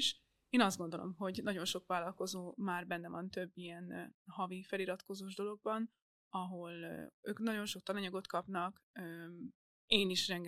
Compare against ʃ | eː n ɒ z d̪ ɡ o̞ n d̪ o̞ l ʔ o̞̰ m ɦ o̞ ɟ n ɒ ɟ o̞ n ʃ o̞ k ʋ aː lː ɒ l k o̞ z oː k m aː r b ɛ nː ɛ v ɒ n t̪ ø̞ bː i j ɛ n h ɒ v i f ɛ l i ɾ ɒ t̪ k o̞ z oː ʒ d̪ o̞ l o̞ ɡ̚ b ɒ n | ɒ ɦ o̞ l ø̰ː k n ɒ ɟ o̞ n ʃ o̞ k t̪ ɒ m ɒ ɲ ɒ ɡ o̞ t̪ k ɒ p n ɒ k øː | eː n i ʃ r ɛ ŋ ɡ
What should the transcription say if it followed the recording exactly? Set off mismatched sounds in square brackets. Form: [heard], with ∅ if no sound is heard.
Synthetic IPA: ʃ | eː n ɒ z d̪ ɡ o̞ n d̪ o̞ l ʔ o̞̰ m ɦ o̞ ɟ n ɒ ɟ o̞ n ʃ o̞ k ʋ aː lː ɒ l k o̞ z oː [∅] m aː r b ɛ nː ɛ v ɒ n t̪ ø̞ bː i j ɛ n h ɒ v i f ɛ l i ɾ ɒ t̪ k o̞ z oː ʒ d̪ o̞ l o̞ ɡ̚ b ɒ n | ɒ ɦ o̞ l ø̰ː k n ɒ ɟ o̞ n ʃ o̞ k t̪ ɒ [n] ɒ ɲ ɒ ɡ o̞ t̪ k ɒ p n ɒ k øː | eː n i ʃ r ɛ ŋ ɡ